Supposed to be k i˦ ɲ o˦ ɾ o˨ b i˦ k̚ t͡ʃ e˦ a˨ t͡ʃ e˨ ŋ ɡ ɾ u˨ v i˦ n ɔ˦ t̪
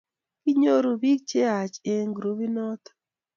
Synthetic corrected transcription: k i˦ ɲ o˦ ɾ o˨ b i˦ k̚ t͡ʃ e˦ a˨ t͡ʃ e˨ ŋ ɡ ɾ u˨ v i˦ n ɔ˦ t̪